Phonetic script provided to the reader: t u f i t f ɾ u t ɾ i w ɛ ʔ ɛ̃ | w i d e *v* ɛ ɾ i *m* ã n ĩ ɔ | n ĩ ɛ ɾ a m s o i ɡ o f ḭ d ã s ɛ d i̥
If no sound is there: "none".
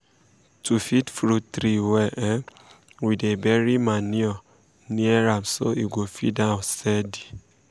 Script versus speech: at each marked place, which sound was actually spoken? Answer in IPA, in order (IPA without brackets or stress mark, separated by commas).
b, m